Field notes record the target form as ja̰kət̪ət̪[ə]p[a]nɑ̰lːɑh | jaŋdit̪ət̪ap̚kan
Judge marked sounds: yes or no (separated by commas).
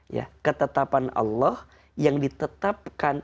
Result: no, yes